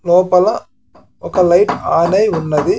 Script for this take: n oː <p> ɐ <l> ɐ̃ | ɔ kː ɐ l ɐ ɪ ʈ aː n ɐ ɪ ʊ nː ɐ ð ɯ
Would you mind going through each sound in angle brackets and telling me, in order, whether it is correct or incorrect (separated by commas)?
correct, correct